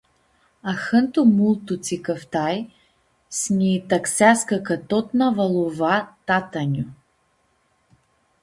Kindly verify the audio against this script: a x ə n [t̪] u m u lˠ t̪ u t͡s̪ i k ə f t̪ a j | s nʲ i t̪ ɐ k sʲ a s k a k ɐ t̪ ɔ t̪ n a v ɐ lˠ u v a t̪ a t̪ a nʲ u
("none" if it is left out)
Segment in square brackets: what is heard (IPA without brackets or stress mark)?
t̪